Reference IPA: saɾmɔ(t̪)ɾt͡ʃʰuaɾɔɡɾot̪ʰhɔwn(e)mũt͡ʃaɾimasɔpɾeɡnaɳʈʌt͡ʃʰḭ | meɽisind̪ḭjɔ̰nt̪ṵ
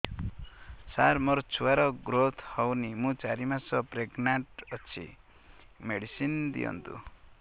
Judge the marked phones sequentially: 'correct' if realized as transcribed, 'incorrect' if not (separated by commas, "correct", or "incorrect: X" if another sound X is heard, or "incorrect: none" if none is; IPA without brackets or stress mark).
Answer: incorrect: none, incorrect: i